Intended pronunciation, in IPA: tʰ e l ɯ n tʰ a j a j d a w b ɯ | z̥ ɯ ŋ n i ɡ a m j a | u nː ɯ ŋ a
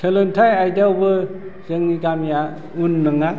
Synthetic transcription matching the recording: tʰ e l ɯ n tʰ a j a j d a w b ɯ | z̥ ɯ ŋ n i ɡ a m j a | u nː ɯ ŋ a